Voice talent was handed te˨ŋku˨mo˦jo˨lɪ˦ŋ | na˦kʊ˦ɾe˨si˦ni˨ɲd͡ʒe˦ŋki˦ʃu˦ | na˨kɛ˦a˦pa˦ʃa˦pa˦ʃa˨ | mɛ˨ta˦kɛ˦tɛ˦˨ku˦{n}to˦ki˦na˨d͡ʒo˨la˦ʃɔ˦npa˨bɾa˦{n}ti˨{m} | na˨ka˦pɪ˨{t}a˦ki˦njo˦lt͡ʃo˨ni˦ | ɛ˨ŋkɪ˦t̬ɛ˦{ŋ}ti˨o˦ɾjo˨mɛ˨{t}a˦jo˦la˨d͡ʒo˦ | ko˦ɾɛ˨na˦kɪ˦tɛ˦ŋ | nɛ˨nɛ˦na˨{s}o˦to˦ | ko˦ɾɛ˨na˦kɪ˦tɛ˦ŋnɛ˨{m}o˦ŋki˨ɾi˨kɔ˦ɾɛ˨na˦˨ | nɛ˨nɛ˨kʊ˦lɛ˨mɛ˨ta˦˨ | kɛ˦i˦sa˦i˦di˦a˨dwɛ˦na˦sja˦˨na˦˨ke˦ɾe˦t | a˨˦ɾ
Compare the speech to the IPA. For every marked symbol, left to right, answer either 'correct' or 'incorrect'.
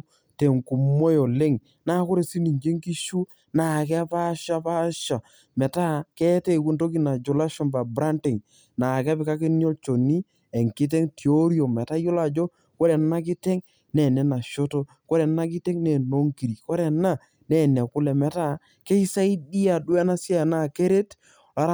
correct, correct, incorrect, incorrect, correct, correct, incorrect, incorrect

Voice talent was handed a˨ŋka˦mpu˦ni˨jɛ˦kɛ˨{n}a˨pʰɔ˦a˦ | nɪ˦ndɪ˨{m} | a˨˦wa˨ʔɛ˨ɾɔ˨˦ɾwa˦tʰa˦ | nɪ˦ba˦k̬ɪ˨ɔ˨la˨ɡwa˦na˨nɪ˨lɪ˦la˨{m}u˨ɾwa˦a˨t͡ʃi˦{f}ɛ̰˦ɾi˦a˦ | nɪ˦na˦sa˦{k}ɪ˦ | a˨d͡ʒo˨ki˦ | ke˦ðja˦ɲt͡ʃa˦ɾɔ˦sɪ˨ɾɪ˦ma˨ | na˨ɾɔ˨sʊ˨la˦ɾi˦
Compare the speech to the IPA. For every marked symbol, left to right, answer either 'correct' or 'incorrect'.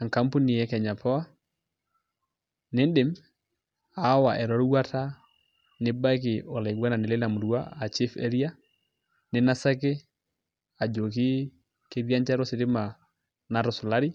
incorrect, correct, correct, correct, correct

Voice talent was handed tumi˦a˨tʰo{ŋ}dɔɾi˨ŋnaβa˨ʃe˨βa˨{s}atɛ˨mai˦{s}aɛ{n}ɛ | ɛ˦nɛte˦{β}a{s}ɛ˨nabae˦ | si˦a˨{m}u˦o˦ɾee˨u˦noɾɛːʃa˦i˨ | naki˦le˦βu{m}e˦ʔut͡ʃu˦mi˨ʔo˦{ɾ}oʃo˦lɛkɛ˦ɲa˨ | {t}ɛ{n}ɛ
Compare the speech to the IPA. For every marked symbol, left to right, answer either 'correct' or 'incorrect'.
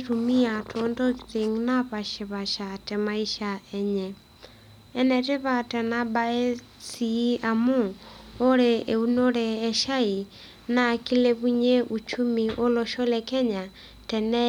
incorrect, incorrect, incorrect, incorrect, correct, incorrect, correct, incorrect, incorrect, correct, correct

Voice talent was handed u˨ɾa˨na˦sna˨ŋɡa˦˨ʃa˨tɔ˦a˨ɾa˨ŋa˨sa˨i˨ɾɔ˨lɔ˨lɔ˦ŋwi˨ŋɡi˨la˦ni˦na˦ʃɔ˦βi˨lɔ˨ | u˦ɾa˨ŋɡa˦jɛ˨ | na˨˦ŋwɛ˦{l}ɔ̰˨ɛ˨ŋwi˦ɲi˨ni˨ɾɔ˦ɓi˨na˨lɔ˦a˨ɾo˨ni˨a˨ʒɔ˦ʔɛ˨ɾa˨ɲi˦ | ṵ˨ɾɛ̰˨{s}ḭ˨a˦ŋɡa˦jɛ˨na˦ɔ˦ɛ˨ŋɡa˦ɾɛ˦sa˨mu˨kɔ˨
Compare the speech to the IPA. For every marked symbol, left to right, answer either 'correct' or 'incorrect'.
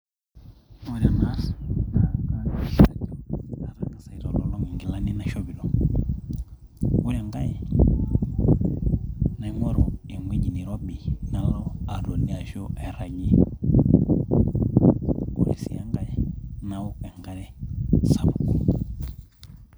incorrect, correct

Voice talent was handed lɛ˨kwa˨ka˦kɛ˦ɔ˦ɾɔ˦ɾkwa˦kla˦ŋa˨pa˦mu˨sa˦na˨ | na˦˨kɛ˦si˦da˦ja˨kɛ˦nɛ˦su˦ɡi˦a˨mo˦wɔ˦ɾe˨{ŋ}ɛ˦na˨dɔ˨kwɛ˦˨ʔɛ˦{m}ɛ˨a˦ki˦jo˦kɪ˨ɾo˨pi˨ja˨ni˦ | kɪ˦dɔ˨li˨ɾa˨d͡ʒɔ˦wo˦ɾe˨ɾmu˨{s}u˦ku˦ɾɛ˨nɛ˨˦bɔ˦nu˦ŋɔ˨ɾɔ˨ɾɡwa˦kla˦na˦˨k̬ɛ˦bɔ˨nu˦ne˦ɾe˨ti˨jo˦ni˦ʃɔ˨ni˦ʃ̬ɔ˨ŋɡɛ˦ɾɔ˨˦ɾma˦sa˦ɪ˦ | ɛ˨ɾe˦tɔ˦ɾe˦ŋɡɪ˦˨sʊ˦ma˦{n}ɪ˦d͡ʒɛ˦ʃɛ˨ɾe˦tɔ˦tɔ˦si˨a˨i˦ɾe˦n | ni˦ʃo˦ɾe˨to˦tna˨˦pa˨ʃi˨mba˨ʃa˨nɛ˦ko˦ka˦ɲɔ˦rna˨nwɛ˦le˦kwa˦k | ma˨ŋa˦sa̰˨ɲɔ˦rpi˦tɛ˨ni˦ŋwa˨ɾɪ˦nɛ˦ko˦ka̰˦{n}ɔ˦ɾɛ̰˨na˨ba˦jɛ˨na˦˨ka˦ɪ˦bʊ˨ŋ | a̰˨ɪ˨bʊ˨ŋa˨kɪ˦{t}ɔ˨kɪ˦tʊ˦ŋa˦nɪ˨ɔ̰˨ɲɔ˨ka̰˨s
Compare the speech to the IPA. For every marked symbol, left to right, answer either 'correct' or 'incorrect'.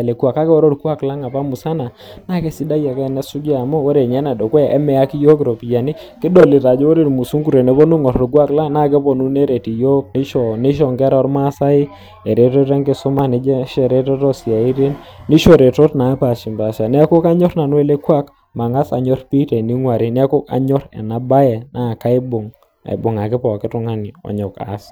incorrect, correct, correct, correct, incorrect, incorrect

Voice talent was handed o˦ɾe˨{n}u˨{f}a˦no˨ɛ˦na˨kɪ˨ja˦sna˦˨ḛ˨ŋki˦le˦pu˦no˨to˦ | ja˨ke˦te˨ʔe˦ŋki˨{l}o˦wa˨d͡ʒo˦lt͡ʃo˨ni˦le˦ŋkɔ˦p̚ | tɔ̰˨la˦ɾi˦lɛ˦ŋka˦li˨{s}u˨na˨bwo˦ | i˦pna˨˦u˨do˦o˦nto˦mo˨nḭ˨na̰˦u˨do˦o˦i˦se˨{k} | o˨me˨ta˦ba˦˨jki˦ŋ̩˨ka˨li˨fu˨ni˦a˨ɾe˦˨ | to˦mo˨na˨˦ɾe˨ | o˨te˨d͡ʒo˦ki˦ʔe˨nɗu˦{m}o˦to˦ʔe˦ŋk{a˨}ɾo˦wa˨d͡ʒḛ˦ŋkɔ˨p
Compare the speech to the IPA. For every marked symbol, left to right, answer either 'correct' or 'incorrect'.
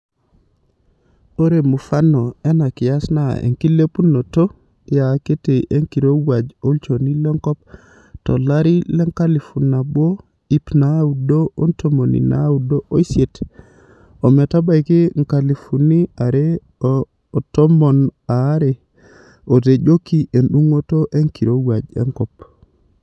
incorrect, correct, incorrect, incorrect, incorrect, incorrect, incorrect

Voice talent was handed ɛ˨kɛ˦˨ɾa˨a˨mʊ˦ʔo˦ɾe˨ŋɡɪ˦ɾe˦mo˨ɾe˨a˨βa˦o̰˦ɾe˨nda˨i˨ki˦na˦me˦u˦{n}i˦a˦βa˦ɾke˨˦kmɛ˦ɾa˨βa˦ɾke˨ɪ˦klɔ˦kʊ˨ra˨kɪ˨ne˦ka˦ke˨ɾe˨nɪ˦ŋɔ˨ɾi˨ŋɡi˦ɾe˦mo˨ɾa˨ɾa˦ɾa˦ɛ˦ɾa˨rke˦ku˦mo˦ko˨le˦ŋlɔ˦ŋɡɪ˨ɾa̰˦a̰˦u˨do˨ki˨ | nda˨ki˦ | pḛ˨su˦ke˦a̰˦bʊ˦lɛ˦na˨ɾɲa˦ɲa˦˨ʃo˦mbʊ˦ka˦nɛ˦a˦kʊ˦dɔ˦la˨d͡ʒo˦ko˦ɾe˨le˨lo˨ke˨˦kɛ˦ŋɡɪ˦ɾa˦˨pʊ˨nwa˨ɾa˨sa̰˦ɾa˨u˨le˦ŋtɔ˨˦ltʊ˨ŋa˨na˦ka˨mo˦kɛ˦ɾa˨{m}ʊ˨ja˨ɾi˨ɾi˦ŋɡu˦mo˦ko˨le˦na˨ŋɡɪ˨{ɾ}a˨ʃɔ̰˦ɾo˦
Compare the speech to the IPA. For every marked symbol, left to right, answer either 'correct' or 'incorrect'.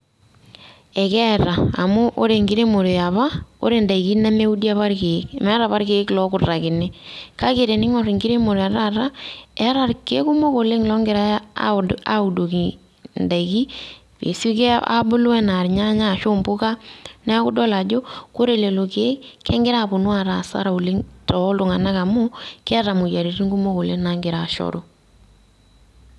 incorrect, correct, correct

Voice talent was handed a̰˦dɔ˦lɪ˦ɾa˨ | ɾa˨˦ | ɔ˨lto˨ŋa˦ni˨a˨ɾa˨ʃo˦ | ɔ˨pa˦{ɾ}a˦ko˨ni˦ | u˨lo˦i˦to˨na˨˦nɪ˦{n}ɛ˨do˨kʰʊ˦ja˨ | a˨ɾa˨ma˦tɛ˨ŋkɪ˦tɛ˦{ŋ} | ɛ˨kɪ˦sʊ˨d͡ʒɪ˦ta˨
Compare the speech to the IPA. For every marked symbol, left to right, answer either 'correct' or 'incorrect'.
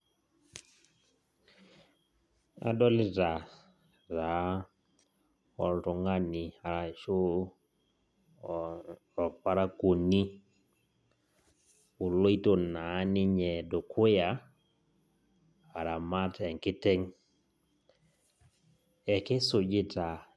correct, incorrect, correct

